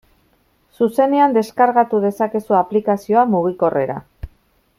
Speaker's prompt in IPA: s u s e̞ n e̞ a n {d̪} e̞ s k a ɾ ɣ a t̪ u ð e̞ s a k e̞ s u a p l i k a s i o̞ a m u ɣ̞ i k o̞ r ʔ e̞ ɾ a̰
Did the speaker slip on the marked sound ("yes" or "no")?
no